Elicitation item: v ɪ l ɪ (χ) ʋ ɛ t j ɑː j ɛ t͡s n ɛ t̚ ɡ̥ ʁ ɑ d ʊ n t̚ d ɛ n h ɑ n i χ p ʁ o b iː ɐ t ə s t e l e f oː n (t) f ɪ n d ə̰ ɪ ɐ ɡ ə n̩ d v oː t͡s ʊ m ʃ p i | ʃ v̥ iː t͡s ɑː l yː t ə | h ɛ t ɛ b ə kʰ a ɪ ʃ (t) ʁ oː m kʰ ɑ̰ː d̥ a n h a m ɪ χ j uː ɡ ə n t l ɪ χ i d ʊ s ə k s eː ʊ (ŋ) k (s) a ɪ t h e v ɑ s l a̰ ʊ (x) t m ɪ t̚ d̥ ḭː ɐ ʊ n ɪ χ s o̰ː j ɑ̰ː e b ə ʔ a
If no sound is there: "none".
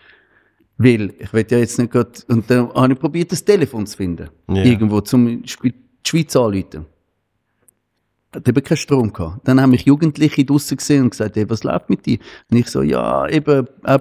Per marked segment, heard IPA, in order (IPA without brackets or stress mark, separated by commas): χ, t͡s, t, n, s, f